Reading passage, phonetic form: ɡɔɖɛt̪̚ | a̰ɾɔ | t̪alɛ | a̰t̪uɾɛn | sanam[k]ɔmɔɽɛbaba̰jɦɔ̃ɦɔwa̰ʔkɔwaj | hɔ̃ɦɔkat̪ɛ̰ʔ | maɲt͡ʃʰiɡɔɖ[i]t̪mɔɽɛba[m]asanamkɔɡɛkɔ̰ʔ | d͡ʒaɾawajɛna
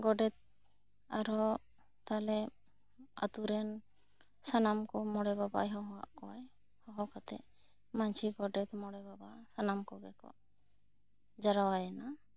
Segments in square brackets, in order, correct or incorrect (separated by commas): correct, incorrect, incorrect